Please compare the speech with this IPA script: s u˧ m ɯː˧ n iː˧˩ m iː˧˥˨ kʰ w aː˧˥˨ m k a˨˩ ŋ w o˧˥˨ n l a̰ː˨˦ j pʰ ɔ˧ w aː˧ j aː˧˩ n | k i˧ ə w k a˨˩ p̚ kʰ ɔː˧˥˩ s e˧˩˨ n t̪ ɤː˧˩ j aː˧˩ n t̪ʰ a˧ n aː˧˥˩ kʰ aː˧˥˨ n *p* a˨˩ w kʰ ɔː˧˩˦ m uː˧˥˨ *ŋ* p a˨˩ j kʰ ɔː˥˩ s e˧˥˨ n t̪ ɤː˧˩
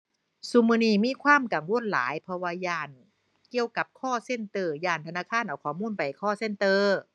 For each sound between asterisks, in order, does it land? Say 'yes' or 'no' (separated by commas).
no, no